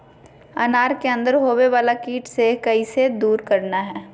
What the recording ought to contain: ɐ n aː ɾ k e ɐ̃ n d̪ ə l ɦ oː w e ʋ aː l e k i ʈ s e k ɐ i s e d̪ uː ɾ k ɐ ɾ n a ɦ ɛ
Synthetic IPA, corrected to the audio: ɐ n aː ɾ k e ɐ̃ n d̪ ə ɾ ɦ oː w e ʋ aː l a k iː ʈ s e k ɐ i s e d̪ uː ɾ k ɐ ɾ n a ɦ ɛː